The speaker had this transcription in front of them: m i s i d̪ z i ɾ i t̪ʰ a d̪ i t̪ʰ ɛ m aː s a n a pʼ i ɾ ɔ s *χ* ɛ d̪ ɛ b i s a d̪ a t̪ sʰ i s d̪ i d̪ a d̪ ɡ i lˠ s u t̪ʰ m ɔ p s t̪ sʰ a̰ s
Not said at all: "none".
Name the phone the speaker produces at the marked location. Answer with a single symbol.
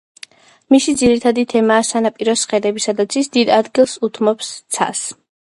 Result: χ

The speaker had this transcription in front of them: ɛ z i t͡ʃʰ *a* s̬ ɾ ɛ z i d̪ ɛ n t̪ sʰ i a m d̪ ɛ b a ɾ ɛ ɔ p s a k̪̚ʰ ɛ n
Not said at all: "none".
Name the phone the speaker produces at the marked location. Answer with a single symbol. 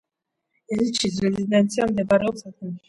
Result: i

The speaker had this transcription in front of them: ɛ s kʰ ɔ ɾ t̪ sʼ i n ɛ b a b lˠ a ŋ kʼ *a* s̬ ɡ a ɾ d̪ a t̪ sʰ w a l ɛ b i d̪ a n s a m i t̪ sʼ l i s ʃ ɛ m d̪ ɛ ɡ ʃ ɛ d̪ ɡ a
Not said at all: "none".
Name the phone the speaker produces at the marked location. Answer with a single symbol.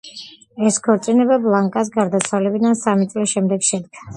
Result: a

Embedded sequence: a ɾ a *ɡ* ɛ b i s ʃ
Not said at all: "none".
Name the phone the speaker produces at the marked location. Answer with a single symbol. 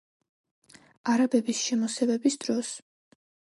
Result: b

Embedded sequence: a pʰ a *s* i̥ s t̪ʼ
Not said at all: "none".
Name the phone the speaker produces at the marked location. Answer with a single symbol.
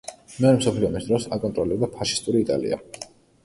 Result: ʃ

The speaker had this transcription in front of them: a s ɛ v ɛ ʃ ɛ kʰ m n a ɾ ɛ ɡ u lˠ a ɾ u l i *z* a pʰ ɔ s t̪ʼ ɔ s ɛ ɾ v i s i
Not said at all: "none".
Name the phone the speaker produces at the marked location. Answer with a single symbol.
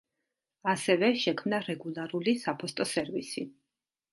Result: s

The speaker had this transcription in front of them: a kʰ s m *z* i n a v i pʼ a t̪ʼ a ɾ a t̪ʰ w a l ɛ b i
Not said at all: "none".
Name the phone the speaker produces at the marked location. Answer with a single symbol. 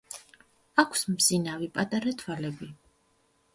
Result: z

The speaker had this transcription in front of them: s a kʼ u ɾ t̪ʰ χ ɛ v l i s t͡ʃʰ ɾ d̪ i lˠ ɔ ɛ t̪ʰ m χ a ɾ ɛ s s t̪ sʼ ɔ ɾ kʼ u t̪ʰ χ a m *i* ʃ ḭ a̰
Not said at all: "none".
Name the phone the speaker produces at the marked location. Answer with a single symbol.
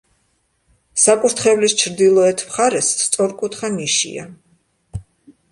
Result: i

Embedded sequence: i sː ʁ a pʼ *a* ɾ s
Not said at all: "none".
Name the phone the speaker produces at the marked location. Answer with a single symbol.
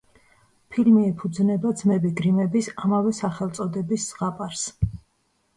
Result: a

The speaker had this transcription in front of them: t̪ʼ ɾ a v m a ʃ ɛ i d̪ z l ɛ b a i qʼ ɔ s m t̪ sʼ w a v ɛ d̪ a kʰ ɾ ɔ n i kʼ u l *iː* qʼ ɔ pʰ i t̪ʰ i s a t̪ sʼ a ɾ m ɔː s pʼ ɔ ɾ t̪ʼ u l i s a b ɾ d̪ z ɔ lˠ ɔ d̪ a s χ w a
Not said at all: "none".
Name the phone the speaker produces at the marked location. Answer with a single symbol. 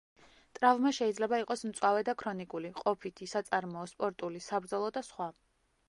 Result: i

